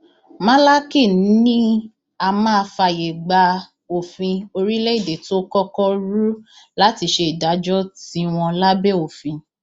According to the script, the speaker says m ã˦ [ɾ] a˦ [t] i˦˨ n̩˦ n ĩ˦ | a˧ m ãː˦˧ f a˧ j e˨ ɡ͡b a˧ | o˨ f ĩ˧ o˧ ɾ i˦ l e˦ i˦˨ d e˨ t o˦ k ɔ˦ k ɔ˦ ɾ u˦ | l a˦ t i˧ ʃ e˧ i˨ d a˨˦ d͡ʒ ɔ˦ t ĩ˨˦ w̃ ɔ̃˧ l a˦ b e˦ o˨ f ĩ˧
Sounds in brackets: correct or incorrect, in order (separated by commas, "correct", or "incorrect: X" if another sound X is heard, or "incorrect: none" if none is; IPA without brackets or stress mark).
incorrect: l, incorrect: k